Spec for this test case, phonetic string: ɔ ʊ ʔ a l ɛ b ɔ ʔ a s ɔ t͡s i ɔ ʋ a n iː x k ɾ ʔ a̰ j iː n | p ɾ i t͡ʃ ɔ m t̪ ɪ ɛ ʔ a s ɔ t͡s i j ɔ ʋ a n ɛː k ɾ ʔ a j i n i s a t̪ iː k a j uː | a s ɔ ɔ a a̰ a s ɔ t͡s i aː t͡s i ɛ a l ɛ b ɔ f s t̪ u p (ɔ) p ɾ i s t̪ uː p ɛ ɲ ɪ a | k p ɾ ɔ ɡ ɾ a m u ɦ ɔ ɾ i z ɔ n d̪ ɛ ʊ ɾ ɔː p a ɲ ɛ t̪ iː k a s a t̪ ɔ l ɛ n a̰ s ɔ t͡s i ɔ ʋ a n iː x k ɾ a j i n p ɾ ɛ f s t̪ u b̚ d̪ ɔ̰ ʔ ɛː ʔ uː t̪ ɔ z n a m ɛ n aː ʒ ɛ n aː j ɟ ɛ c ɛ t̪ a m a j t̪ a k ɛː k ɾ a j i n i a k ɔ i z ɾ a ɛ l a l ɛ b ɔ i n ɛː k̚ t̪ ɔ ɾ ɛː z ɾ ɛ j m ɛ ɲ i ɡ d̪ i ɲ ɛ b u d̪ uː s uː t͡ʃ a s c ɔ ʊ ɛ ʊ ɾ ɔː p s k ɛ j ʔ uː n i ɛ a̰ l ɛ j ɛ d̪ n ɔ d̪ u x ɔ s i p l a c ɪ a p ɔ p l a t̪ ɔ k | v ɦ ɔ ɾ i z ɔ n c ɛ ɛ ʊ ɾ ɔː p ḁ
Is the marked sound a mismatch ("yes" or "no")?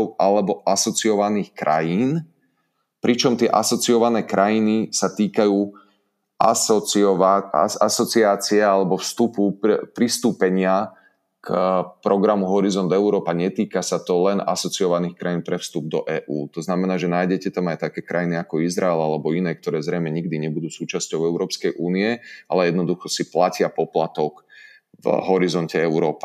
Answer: yes